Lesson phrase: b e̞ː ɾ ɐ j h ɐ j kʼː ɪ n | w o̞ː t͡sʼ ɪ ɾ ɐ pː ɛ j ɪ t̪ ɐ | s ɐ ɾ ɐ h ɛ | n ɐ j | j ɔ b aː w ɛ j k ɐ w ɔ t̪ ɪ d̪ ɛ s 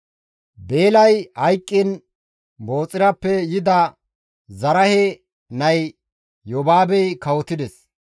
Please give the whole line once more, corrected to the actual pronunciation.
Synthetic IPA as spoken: b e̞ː l ɐ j h ɐ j kʼː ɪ n | b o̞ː t͡sʼ ɪ ɾ ɐ pː ɛ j ɪ d̪ ɐ | z ɐ ɾ ɐ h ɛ | n ɐ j | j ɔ b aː b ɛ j k ɐ w ɔ t̪ ɪ d̪ ɛ s